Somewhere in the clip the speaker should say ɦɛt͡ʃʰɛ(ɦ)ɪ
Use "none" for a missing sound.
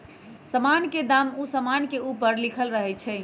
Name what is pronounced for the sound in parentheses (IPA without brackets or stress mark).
none